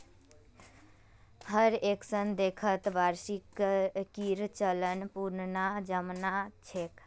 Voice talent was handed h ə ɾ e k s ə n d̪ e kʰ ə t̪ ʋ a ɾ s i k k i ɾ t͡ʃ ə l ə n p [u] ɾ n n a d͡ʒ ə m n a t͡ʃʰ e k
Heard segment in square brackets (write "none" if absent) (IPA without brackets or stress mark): u